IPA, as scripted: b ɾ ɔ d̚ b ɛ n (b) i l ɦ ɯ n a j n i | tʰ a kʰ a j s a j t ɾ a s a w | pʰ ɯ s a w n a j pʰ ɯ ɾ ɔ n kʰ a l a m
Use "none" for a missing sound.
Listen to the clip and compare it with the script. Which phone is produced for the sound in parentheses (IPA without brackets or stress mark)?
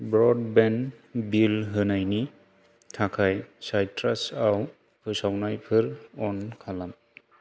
b